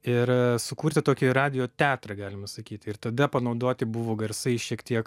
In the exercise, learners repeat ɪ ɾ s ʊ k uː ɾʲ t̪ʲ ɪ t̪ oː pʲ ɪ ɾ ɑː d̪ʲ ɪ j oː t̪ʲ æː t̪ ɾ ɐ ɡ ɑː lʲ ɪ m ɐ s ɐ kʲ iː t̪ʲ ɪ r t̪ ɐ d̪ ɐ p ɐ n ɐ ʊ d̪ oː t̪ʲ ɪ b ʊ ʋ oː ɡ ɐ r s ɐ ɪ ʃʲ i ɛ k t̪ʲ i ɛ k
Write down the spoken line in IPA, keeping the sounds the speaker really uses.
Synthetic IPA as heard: ɪ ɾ s ʊ k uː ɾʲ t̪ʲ ɪ t̪ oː kʲ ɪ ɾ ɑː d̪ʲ ɪ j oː t̪ʲ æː t̪ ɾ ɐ ɡ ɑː lʲ ɪ m ɐ s ɐ kʲ iː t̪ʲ ɪ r t̪ ɐ d̪ ɐ p ɐ n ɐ ʊ d̪ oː t̪ʲ ɪ b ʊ ʋ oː ɡ ɐ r s ɐ ɪ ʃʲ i ɛ k t̪ʲ i ɛ k